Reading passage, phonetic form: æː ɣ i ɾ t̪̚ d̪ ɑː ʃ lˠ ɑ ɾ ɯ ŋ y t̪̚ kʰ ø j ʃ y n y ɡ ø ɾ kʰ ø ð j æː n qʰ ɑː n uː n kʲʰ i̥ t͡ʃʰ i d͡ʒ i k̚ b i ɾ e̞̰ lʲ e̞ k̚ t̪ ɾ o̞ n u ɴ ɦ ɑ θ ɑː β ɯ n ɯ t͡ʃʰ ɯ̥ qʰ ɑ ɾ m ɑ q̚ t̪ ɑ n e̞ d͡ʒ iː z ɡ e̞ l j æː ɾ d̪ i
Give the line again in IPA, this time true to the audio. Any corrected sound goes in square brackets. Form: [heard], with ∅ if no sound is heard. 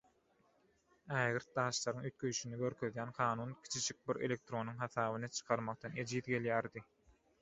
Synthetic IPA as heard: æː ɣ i ɾ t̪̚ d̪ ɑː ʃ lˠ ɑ ɾ ɯ ŋ y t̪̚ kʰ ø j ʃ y n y ɡ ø ɾ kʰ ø ð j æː n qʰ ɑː n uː n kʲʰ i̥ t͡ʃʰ i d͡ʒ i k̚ b i ɾ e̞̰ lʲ e̞ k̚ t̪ ɾ o̞ n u [ŋ] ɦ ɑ θ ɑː β ɯ n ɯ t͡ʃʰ ɯ̥ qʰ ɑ ɾ m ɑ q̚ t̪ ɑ n e̞ d͡ʒ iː [ð] ɡ e̞ l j æː ɾ d̪ i

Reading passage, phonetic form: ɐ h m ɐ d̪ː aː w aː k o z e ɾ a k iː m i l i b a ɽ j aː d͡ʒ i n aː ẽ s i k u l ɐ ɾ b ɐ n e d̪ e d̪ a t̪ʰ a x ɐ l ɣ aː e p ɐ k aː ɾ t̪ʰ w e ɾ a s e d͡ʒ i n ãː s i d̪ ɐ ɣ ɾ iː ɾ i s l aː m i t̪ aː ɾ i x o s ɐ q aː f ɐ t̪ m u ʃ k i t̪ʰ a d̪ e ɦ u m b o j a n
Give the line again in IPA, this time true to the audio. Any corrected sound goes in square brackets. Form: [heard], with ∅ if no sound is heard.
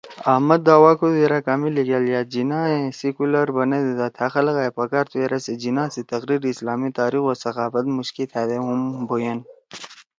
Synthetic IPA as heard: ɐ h m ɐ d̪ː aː w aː k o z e ɾ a k [aː] m i l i [ɡ] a [l] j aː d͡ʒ i n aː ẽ s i k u l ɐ ɾ b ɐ n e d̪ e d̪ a t̪ʰ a x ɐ l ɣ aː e p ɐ k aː ɾ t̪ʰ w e ɾ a s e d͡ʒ i n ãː s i [t̪] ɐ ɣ ɾ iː ɾ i s l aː m i t̪ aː ɾ i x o s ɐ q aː f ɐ t̪ m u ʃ k i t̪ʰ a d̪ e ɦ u m b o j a n

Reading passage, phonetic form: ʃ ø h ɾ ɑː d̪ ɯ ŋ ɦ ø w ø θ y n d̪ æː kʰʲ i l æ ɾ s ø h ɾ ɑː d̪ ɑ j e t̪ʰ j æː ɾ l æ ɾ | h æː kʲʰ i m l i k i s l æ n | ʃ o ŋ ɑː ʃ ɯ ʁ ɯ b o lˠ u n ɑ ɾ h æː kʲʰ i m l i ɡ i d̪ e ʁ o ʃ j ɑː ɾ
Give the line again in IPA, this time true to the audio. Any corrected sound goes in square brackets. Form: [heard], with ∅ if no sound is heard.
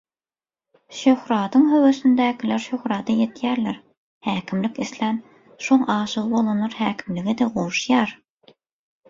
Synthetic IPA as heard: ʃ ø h ɾ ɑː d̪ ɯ ŋ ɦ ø w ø [s] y n d̪ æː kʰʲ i l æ ɾ [ʃ] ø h ɾ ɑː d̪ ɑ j e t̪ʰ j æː ɾ l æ ɾ | h æː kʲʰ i m l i k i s l æ n | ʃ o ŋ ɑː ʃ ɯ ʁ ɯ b o lˠ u n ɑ ɾ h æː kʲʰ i m l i ɡ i d̪ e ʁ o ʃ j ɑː ɾ

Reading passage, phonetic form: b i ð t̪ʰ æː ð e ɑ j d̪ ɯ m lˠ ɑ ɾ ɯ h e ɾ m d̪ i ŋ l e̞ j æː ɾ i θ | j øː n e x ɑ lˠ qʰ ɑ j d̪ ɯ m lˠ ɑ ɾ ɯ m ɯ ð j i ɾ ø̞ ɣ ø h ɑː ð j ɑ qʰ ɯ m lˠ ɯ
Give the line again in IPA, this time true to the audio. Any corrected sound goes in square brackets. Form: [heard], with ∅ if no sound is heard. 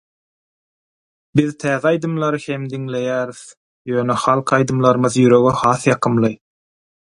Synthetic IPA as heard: b i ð t̪ʰ æː ð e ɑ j d̪ ɯ m lˠ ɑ ɾ ɯ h e [∅] m d̪ i ŋ l e̞ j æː ɾ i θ | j øː n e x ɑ lˠ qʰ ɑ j d̪ ɯ m lˠ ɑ ɾ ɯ m ɯ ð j [y] ɾ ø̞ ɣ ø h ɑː [θ] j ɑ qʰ ɯ m lˠ ɯ

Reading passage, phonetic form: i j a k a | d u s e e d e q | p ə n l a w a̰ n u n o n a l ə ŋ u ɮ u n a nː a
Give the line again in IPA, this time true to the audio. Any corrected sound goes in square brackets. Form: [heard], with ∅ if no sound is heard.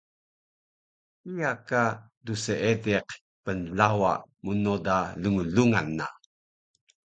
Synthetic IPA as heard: i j a k a | d u s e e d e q | p ə n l a w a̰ [m] u n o [d] a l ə ŋ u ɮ u [ŋ] a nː a

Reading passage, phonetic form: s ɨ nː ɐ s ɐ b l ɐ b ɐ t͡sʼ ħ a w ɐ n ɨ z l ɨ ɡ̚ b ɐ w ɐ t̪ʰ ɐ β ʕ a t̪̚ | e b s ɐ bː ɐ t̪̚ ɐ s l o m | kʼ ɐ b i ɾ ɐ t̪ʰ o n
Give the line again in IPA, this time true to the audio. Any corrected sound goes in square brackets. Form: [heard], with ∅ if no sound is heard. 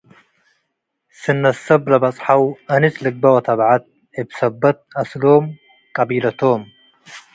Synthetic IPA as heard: s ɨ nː ɐ s ɐ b l ɐ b ɐ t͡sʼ ħ a w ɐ n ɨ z l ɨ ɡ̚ b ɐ w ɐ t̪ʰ ɐ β ʕ a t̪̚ | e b s ɐ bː ɐ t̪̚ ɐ s l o m | kʼ ɐ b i [l] ɐ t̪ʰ o [m]

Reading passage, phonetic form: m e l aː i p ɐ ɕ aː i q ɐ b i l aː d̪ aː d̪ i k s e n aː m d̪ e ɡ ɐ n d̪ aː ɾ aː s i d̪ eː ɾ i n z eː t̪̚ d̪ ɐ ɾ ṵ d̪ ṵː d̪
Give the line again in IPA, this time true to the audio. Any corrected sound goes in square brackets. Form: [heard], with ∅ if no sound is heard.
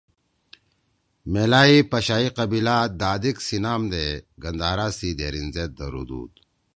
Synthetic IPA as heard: m e l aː i p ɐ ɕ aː i q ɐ b i l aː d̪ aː d̪ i k s [i] n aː m d̪ e ɡ ɐ n d̪ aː ɾ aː s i d̪ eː ɾ i n z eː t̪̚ d̪ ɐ ɾ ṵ d̪ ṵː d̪

